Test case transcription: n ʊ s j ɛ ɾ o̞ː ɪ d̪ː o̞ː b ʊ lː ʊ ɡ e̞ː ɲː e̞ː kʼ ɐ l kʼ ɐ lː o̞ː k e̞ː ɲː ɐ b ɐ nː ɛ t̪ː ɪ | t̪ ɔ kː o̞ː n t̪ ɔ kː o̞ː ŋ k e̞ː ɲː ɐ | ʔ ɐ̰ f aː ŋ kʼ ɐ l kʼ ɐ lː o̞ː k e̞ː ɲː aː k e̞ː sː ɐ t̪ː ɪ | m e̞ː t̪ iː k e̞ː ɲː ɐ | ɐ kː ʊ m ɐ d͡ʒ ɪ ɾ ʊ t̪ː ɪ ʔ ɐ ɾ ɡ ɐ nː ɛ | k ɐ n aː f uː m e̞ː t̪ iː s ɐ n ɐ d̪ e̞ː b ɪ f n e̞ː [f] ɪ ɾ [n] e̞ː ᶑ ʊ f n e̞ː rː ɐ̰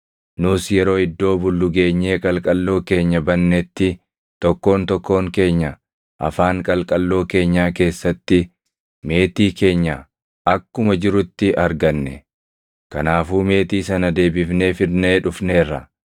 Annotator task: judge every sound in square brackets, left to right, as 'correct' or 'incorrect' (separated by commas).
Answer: correct, correct